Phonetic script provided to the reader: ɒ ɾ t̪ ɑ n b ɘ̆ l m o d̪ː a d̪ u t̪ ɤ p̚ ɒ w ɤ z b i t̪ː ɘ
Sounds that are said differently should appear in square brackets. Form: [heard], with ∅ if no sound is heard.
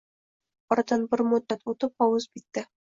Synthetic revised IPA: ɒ ɾ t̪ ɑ n b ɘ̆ [ɾ] m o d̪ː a [t̪] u t̪ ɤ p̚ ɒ w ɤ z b i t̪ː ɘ